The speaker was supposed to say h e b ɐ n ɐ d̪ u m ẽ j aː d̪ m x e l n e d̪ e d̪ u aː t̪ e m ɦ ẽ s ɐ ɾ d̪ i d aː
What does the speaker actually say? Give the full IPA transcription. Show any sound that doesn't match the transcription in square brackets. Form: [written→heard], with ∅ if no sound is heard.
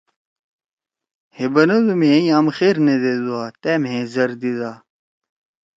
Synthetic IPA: h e b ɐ n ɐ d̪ u m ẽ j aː [d̪→∅] m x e [l→ɾ] n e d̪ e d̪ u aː t̪ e m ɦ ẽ [s→z] ɐ ɾ d̪ i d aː